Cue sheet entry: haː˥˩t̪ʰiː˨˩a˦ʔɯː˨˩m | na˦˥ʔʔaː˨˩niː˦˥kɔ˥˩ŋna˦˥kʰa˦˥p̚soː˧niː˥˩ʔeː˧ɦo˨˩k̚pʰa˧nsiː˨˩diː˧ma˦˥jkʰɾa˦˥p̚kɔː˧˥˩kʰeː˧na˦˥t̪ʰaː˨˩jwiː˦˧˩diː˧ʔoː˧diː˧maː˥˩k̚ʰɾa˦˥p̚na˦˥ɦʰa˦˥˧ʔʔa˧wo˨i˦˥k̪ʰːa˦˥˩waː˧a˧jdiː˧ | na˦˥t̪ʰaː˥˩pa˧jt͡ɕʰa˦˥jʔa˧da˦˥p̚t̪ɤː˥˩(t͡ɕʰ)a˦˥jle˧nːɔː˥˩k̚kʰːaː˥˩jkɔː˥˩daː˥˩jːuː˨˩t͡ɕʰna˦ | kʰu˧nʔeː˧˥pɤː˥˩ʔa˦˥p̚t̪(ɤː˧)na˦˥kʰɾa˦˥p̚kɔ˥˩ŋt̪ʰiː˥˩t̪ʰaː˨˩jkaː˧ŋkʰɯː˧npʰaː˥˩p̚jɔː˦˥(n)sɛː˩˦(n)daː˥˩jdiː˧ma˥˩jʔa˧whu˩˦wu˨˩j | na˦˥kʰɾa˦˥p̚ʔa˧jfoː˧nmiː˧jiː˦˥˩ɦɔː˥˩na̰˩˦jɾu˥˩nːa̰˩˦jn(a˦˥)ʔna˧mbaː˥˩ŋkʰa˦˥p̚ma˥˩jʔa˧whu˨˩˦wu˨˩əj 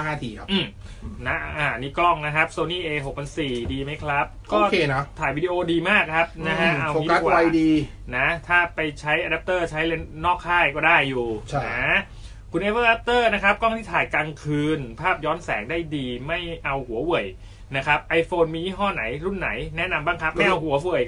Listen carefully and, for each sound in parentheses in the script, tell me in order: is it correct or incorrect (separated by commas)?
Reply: correct, incorrect, correct, incorrect, incorrect